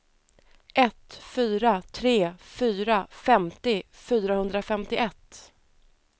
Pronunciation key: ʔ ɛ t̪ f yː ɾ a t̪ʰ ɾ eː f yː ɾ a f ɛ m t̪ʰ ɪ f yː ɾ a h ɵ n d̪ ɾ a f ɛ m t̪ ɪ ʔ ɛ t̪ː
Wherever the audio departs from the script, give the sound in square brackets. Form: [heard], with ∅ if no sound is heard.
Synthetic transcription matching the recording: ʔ ɛ t̪ f yː ɾ a t̪ʰ ɾ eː f yː ɾ a f ɛ m [t̪] ɪ f yː ɾ a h ɵ n d̪ ɾ a f ɛ m t̪ ɪ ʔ ɛ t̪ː